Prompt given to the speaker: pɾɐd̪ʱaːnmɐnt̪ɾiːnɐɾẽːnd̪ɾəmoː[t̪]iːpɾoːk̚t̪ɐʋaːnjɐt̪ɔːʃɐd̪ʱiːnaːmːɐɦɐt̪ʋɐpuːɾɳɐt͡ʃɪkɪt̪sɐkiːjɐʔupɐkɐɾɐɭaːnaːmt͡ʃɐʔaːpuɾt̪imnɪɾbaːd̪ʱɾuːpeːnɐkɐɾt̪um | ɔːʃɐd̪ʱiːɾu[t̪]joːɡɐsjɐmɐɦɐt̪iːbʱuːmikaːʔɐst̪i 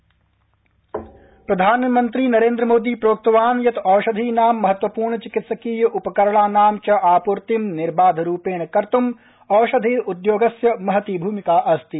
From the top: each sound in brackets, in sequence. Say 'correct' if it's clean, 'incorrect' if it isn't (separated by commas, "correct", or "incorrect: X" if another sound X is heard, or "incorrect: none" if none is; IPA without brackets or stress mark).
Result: incorrect: d̪, incorrect: d̪